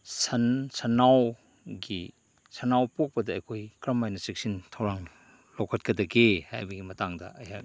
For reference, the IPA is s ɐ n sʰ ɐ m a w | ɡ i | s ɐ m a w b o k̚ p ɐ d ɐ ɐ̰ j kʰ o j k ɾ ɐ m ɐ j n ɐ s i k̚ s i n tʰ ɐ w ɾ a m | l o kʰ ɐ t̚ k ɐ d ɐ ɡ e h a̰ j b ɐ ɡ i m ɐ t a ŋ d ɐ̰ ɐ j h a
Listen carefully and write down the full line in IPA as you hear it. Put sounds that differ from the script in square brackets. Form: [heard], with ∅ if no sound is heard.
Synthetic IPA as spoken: s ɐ n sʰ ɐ [n] a w | ɡ i | s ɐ [n] a w [p] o k̚ p ɐ d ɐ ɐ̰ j kʰ o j k ɾ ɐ m [a] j n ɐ s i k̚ s i n tʰ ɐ w ɾ a [ŋ] | l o kʰ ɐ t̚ k ɐ d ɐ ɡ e h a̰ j b ɐ ɡ i m ɐ t a ŋ d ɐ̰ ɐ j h a

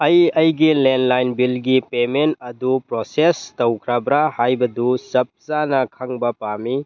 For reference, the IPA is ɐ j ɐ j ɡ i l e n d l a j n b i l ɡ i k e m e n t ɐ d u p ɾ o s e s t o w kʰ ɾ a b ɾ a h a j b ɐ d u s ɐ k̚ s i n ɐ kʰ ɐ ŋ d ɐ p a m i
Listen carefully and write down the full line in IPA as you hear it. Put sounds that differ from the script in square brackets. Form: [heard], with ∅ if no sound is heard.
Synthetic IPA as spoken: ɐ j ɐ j ɡ i l e n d l a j n b i l ɡ i [p] e m e n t ɐ d u p ɾ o s e s t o w kʰ ɾ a b ɾ a h a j b ɐ d u s ɐ [p̚] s [a] n ɐ kʰ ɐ ŋ [b] ɐ p a m i

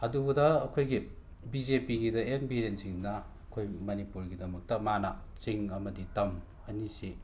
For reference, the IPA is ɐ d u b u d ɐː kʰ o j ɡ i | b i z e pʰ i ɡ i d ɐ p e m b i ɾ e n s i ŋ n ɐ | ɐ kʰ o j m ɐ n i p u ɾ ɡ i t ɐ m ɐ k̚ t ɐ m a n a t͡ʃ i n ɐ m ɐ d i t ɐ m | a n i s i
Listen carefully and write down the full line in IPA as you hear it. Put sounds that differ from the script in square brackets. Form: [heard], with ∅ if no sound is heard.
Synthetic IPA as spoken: ɐ d u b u d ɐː kʰ o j ɡ i | b i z e [p] i ɡ i d ɐ [∅] e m b i ɾ e n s i ŋ n ɐ | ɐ kʰ o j m ɐ n i p u ɾ ɡ i [d] ɐ m ɐ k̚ t ɐ m a n a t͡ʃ i [ŋ] ɐ m ɐ d i t ɐ m | [ɐ] n i s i

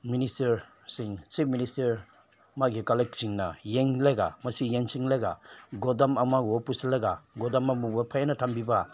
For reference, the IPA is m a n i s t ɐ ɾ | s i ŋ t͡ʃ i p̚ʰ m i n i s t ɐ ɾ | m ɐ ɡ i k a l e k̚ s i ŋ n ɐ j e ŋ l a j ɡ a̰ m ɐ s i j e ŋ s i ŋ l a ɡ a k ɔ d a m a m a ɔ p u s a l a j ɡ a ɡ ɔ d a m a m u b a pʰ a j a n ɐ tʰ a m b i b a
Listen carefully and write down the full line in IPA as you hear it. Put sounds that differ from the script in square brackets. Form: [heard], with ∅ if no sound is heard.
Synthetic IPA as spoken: m [i] n i s t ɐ ɾ | s i ŋ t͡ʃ i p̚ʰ m i n i s t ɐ ɾ | m [a] ɡ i k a l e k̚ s i ŋ n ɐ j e ŋ l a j ɡ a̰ m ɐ s i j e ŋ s i ŋ l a ɡ a [ɡ] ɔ d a m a m a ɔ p u s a l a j ɡ a ɡ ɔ d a m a m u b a pʰ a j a n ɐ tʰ a m b i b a

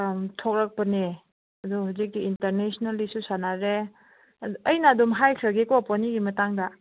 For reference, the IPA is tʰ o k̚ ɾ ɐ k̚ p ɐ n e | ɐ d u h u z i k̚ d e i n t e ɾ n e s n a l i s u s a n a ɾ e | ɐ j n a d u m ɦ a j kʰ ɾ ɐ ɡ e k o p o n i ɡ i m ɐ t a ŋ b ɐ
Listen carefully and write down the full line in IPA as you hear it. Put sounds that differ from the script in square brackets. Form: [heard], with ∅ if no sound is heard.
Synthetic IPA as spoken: tʰ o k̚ ɾ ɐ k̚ p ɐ n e | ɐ d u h u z i k̚ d [i] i n t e ɾ n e s n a l i s u s a n a ɾ e | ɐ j n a d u m ɦ a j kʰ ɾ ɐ ɡ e k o p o n i ɡ i m ɐ t a ŋ [d] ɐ

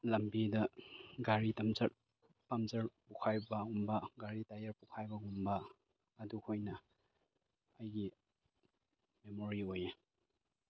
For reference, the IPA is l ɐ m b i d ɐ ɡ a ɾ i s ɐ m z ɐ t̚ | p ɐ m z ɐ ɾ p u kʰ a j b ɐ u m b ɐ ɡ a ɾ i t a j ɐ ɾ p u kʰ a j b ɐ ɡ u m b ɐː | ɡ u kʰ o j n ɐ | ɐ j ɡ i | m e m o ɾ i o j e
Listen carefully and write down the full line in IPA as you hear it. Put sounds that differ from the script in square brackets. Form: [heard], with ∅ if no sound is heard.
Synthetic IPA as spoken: l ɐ m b i d ɐ ɡ a ɾ i [t] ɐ m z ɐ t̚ | p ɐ m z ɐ ɾ p u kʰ a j b ɐ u m b ɐ ɡ a ɾ i t a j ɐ ɾ p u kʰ a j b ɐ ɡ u m b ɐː | [d] u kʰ o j n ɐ | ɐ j ɡ i | m e m o ɾ i o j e

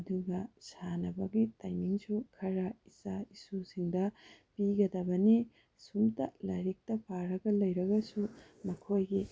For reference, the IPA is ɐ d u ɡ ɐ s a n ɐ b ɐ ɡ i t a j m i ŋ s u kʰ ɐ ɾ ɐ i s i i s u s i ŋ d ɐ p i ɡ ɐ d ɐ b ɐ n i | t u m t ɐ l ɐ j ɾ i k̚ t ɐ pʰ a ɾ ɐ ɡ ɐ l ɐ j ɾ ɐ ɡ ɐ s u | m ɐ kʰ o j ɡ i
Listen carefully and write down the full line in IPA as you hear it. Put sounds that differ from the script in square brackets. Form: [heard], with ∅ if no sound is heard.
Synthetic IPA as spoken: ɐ d u ɡ ɐ s a n ɐ b ɐ ɡ i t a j m i ŋ s u kʰ ɐ ɾ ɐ i s [a] i s u s i ŋ d ɐ p i ɡ ɐ d ɐ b ɐ n i | [s] u m t ɐ l ɐ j ɾ i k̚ t ɐ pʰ a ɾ ɐ ɡ ɐ l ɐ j ɾ ɐ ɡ ɐ s u | m ɐ kʰ o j ɡ i

